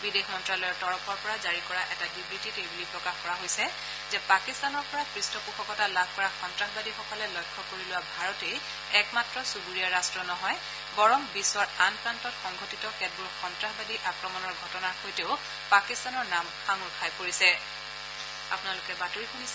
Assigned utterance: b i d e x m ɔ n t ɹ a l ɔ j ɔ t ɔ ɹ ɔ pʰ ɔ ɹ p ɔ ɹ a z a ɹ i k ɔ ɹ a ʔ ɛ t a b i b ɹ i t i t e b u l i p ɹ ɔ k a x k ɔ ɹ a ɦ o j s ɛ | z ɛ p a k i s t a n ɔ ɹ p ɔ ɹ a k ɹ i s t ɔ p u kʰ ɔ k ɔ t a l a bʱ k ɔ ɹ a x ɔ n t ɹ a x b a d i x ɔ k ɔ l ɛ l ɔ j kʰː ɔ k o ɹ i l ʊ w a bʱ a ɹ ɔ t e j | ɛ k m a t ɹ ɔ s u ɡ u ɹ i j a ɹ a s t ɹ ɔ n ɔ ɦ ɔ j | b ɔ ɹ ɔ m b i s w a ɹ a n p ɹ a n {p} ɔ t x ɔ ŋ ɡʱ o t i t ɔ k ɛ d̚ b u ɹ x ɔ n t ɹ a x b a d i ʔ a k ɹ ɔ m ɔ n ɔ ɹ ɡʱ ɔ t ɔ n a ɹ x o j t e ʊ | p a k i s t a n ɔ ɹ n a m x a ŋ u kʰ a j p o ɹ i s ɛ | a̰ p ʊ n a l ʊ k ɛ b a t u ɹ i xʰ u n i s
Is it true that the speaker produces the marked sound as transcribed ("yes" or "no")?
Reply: no